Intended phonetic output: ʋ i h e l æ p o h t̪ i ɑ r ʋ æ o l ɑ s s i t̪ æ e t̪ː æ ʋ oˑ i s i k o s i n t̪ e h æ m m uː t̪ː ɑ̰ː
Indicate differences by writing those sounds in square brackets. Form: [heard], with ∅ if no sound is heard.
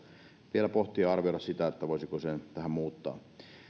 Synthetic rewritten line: ʋ i [∅] e l æ p o h t̪ i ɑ r ʋ [i] o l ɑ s s i t̪ æ e t̪ː æ ʋ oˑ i s i k o s [e] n t̪ [æ] h æ m m uː t̪ː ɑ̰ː